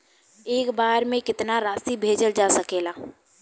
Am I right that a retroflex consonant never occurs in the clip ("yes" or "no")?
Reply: yes